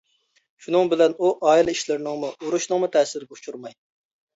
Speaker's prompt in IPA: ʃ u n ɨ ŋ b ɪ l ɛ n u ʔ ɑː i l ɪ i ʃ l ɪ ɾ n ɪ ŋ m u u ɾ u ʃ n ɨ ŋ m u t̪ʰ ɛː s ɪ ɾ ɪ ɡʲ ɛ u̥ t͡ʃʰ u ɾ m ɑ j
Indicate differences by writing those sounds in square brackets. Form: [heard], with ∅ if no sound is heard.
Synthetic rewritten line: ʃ u n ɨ ŋ b ɪ l ɛ n u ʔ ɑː i l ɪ i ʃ l ɪ ɾ n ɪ ŋ m u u ɾ u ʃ n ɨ ŋ m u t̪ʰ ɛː s ɪ ɾ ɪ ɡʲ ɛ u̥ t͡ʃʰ u ɾ m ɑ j

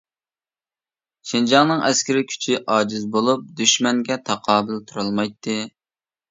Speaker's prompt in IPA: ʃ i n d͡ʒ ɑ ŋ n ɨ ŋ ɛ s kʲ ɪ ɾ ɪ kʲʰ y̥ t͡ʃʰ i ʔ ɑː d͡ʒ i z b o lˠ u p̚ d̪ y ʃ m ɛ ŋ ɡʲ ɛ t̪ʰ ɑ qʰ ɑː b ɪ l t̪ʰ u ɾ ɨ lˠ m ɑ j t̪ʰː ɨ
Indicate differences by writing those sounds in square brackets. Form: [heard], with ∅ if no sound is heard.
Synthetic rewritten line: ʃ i n d͡ʒ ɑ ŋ n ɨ ŋ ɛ s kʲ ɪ ɾ ɪ kʲʰ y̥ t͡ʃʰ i ʔ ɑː d͡ʒ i z b o lˠ u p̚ d̪ y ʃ m ɛ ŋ ɡʲ ɛ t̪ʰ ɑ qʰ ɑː b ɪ l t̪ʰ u ɾ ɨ lˠ m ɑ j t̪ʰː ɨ

